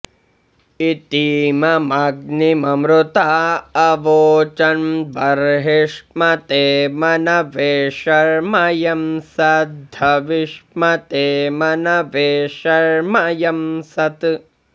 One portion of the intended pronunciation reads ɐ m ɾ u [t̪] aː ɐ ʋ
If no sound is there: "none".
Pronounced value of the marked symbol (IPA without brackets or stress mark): t̪